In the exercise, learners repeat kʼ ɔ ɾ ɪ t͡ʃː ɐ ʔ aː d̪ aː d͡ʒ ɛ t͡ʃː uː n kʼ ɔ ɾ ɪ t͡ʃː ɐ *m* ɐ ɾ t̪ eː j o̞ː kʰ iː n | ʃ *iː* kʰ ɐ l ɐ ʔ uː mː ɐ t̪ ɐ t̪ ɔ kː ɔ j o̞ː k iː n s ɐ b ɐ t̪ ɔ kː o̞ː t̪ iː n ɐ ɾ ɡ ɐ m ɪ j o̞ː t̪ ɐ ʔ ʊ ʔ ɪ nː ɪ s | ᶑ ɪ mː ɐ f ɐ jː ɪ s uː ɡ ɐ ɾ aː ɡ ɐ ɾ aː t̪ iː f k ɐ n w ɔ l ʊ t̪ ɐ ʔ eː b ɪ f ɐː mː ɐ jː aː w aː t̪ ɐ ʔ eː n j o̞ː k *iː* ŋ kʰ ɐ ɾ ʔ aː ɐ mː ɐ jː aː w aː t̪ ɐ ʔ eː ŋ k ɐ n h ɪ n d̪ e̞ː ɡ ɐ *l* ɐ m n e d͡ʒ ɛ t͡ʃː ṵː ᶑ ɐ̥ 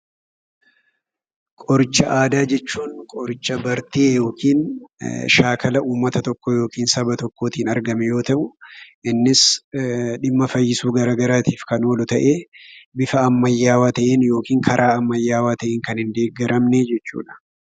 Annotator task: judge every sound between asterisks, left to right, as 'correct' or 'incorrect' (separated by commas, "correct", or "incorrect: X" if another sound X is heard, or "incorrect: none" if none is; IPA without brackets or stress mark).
incorrect: b, incorrect: aː, correct, incorrect: ɾ